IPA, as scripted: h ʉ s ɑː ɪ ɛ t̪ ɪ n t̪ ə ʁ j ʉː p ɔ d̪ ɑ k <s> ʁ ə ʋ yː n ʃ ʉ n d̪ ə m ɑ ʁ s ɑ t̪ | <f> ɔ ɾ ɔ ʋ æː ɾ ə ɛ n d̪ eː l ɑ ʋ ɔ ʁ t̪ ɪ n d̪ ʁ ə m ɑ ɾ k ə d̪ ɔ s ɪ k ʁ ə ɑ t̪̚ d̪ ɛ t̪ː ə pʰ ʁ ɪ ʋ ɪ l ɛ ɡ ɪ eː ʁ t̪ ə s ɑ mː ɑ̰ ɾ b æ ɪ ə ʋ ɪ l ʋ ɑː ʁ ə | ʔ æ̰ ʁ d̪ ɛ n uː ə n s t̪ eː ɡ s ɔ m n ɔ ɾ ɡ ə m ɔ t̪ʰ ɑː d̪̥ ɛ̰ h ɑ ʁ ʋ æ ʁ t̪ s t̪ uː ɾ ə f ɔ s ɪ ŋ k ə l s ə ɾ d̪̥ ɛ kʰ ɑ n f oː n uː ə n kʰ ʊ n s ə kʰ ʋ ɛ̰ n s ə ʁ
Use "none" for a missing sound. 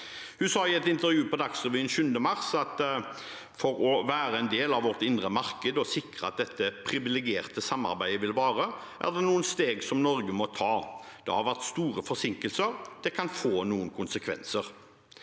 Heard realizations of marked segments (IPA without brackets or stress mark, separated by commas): s, f